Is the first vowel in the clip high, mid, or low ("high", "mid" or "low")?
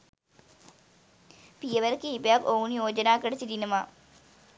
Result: high